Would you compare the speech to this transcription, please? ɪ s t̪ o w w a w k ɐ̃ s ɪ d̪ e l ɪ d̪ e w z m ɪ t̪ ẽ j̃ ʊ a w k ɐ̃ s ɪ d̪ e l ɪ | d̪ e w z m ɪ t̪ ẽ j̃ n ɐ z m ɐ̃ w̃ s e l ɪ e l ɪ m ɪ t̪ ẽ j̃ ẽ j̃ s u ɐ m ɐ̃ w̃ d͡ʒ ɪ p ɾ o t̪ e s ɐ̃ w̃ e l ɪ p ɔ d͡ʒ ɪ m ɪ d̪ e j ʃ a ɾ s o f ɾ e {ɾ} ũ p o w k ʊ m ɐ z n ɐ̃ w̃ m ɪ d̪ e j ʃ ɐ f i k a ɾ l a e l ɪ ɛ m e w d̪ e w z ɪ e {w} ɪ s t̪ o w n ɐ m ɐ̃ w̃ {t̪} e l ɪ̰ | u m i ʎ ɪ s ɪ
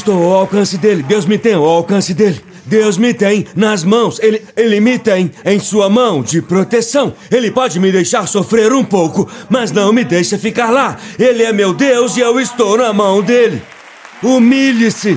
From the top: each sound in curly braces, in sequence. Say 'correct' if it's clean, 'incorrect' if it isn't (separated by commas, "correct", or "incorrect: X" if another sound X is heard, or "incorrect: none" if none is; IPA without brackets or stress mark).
correct, correct, incorrect: d̪